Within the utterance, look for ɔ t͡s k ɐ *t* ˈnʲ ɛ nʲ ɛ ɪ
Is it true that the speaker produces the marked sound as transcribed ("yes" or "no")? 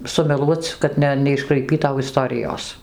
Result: yes